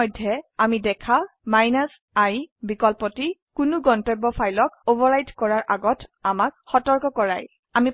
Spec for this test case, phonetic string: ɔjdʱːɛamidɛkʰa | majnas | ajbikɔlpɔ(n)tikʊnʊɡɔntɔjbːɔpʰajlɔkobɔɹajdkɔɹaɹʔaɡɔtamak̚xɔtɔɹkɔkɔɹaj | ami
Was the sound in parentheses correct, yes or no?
no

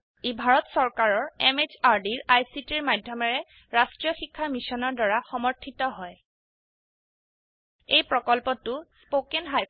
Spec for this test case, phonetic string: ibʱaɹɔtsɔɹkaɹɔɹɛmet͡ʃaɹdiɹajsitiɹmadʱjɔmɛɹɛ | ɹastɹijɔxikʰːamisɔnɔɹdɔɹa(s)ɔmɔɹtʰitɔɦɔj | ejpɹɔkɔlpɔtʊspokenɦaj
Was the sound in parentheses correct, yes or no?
no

